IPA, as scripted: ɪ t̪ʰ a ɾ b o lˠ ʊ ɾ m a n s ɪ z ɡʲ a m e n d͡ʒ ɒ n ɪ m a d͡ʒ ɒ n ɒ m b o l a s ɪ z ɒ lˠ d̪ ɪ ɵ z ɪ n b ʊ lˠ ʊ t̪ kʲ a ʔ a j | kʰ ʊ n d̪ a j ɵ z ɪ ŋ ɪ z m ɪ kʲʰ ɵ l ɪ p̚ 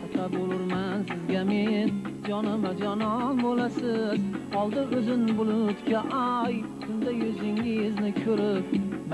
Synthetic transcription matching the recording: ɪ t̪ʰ a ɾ b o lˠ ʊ ɾ m a n s ɪ z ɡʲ a m e n d͡ʒ ɒ n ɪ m a d͡ʒ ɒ n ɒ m b o l a s ɪ z ɒ lˠ d̪ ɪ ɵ z ɪ n b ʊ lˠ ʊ t̪ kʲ a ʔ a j | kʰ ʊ n d̪ a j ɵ z ɪ ŋ ɪ z n ɪ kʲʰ ɵ ɾ ɪ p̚